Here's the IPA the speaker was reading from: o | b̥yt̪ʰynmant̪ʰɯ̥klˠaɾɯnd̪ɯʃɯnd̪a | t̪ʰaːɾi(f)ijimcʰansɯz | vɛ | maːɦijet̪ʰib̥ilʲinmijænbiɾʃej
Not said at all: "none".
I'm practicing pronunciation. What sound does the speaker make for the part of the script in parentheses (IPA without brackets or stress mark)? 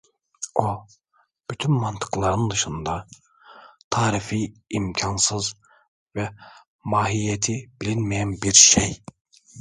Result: f